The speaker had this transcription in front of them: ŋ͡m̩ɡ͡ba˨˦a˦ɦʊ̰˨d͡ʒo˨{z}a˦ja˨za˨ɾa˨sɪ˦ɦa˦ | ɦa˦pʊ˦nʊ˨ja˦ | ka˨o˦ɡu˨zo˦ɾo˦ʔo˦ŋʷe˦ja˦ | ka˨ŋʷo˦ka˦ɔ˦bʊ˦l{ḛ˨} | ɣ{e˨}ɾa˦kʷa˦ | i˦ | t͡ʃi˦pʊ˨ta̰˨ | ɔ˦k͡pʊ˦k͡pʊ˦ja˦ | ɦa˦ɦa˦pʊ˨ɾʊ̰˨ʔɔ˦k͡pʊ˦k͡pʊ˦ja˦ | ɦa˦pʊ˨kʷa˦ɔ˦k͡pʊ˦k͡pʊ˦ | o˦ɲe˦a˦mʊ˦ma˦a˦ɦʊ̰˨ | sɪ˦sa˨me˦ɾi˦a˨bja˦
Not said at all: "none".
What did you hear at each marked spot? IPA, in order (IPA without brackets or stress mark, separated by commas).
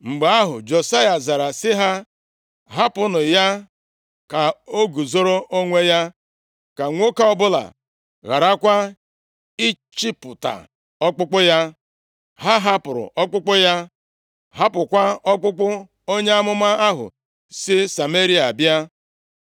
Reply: s, a̰˨, a˨